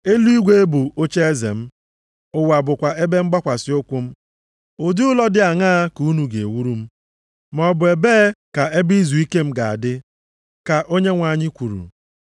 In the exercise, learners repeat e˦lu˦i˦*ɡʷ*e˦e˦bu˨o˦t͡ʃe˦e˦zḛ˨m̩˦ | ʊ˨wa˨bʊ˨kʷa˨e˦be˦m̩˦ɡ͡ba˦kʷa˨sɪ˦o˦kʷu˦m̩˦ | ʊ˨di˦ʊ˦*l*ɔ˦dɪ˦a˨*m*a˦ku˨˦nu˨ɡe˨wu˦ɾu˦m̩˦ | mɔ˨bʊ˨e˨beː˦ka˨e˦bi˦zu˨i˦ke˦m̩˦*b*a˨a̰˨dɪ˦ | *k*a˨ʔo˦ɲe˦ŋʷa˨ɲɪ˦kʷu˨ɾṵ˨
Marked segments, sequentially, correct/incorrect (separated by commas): correct, correct, incorrect, incorrect, correct